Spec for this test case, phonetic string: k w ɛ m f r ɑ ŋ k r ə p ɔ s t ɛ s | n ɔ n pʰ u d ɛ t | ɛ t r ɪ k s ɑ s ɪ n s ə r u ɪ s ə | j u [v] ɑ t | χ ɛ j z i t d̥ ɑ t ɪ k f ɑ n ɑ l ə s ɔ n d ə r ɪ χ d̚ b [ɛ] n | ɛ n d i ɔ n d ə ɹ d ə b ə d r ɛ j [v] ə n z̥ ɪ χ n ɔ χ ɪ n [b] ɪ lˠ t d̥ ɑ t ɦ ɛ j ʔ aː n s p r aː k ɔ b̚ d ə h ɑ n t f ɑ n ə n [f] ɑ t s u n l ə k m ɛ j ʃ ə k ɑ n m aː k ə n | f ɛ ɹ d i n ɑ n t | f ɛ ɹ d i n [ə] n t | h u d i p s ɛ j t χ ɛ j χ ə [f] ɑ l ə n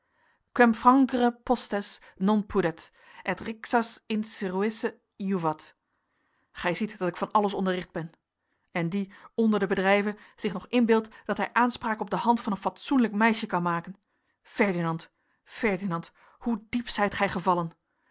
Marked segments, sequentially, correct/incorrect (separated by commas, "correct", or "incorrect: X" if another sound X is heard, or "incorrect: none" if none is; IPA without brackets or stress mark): correct, correct, correct, correct, correct, incorrect: ɑ, incorrect: v